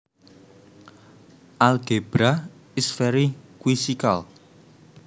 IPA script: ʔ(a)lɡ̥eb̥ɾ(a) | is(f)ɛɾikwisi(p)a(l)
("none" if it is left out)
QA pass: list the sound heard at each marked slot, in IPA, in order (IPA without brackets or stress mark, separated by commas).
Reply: a, a, f, k, l